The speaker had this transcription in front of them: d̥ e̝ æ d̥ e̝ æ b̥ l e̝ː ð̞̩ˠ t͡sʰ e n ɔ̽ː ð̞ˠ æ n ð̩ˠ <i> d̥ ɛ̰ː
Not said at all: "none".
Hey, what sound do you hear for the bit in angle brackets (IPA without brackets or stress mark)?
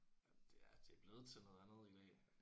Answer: i